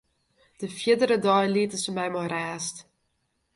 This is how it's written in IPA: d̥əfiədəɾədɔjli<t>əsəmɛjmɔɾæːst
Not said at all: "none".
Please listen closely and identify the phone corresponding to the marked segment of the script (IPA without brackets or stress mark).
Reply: t